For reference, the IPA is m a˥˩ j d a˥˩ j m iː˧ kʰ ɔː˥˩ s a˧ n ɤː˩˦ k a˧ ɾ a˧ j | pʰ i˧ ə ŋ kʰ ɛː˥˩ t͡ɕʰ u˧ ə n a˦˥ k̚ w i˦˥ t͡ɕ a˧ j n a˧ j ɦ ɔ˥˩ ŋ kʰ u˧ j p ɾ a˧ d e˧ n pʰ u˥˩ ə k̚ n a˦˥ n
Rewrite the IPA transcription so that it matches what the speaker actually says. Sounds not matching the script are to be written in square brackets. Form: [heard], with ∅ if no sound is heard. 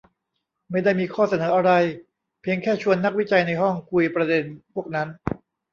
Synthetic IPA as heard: m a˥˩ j d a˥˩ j m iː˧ kʰ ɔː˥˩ s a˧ n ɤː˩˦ [ʔ] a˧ ɾ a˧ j | pʰ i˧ ə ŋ kʰ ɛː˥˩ t͡ɕʰ u˧ ə [nː] a˦˥ k̚ w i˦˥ t͡ɕ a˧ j n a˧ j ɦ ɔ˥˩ ŋ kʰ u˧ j p ɾ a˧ d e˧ n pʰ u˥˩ ə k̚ n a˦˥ n